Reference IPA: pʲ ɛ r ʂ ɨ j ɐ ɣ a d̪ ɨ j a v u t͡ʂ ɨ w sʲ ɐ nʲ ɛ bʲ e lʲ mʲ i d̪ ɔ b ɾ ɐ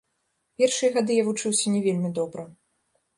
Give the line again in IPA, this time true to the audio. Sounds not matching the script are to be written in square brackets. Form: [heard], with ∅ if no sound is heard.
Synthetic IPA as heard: pʲ ɛ r ʂ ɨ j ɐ ɣ a d̪ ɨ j a v u t͡ʂ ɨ w sʲ ɐ nʲ ɛ [vʲ] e lʲ mʲ i d̪ ɔ b ɾ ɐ

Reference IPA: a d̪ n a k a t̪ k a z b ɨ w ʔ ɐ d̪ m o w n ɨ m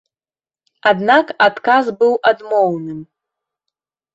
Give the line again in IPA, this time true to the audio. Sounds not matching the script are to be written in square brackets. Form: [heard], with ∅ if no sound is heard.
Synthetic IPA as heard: a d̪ n a k a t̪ k a z b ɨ w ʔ [a] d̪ m o w n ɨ m

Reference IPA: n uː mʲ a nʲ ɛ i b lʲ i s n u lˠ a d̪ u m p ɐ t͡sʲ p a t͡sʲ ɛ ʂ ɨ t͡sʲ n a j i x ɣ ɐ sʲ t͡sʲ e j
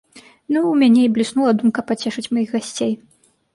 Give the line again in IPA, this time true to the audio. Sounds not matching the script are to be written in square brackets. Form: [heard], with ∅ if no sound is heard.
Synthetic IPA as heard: n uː mʲ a nʲ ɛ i b lʲ i s n u lˠ [ɐ] d̪ u m [k] ɐ [∅] p a t͡sʲ ɛ ʂ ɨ t͡sʲ [m] a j i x ɣ [a] sʲ t͡sʲ e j

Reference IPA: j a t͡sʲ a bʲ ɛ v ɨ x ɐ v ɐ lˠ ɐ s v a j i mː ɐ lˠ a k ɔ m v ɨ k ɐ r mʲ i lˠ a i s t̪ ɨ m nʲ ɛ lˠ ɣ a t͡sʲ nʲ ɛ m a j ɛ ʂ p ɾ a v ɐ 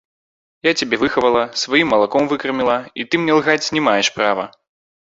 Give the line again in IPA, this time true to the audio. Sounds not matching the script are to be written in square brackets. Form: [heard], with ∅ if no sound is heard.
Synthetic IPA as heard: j a t͡sʲ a bʲ ɛ v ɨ x ɐ v ɐ lˠ ɐ s v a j i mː ɐ lˠ a k ɔ m v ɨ k ɐ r mʲ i lˠ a i [∅] t̪ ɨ m nʲ ɛ lˠ ɣ a t͡sʲ nʲ ɛ m a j ɛ ʂ p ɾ a v ɐ

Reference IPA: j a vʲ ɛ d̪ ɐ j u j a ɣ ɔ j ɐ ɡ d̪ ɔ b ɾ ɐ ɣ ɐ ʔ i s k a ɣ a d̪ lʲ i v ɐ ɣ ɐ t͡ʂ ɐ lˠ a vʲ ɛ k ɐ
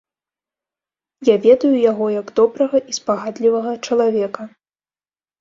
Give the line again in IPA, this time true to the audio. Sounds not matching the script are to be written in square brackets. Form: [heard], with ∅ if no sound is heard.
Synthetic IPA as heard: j a vʲ ɛ d̪ ɐ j u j a ɣ ɔ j ɐ ɡ d̪ ɔ b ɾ ɐ ɣ ɐ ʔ i s [p] a ɣ a d̪ lʲ i v ɐ ɣ ɐ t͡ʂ ɐ lˠ a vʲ ɛ k ɐ

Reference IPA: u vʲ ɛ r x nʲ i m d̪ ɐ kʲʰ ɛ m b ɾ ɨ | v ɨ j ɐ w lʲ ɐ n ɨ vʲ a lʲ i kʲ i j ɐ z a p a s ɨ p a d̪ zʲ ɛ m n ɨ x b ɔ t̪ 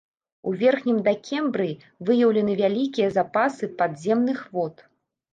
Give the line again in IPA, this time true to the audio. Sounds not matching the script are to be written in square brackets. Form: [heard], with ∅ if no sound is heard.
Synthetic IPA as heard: u vʲ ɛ r x nʲ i m d̪ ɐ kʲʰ ɛ m b ɾ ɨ | v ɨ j ɐ w lʲ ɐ n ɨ vʲ a lʲ i kʲ i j ɐ z a p a s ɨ p a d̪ zʲ ɛ m n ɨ x [v] ɔ t̪

